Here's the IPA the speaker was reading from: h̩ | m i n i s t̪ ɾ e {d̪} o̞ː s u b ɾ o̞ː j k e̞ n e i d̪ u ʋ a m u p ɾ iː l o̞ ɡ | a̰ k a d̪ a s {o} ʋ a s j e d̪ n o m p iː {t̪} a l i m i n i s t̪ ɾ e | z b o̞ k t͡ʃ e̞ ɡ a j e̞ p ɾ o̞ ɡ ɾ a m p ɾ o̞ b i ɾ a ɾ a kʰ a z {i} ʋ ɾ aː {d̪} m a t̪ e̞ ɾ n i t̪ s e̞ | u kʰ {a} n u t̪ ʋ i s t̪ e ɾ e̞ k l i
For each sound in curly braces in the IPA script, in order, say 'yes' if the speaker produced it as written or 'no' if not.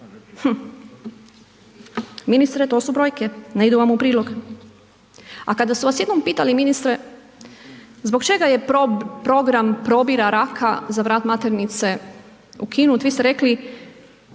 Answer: no, no, yes, no, no, no

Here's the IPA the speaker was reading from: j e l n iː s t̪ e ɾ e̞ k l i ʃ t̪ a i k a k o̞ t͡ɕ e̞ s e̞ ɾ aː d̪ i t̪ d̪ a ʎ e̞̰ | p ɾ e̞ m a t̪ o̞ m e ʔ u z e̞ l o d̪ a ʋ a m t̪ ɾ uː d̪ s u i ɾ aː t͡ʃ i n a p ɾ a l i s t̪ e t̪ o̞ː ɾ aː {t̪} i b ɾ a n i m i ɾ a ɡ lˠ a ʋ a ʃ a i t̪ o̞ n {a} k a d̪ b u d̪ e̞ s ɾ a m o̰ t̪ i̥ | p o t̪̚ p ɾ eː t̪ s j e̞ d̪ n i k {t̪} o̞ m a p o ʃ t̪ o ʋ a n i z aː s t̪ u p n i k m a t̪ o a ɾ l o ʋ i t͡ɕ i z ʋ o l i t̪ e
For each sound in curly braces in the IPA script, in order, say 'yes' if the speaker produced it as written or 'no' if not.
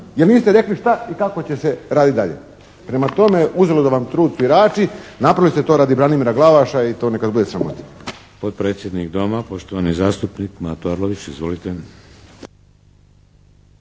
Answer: no, no, no

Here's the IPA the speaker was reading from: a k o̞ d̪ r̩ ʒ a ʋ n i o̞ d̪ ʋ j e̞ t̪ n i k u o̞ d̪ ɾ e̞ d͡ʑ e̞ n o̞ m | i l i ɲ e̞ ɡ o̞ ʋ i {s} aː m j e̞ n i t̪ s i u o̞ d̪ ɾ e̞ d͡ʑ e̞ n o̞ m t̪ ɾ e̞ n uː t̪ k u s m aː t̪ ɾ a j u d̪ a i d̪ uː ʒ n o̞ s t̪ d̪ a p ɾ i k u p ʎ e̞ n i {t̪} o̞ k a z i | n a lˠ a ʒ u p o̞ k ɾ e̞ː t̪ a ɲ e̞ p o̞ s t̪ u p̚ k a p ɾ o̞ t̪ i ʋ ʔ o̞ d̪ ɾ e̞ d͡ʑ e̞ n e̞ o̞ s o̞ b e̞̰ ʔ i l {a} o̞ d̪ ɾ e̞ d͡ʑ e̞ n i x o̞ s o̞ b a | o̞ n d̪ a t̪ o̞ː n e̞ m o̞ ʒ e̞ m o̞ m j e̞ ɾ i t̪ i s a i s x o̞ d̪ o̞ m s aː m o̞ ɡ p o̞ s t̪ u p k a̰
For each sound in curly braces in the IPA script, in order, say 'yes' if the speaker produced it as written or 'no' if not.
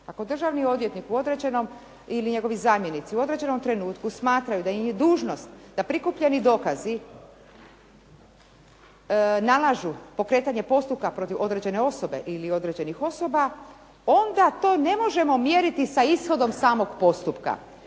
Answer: no, no, no

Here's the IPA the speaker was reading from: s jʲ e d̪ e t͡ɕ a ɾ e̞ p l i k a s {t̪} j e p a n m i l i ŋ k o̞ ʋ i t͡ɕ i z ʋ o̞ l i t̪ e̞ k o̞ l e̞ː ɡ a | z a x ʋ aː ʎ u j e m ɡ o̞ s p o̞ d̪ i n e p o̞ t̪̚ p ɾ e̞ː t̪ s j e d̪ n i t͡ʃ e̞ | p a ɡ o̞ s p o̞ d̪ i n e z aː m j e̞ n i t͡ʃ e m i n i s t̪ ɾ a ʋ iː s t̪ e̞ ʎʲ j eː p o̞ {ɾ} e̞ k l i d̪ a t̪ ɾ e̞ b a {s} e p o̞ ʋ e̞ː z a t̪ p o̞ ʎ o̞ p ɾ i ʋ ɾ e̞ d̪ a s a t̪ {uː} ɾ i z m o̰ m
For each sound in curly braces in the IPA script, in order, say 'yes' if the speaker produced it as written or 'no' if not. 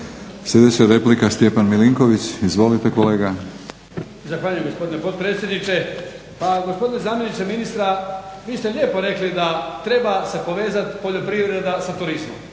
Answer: yes, yes, yes, no

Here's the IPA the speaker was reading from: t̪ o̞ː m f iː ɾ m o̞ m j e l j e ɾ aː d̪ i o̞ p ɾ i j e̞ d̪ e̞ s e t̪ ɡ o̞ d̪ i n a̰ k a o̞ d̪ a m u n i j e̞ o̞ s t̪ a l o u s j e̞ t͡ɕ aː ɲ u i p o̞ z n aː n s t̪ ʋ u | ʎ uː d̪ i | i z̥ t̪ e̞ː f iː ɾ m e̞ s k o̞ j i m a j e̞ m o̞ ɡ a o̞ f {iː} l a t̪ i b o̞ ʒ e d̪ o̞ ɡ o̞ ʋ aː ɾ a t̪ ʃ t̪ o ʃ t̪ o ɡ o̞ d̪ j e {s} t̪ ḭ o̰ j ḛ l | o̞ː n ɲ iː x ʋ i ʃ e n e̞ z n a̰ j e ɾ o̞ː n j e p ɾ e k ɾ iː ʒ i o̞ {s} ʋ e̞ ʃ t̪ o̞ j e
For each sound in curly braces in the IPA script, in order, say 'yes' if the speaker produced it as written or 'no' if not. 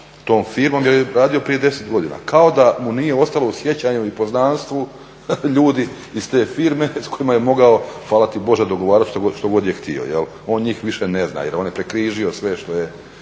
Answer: no, no, yes

